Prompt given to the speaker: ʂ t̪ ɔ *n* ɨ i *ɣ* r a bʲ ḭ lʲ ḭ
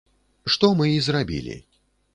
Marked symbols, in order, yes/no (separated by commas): no, no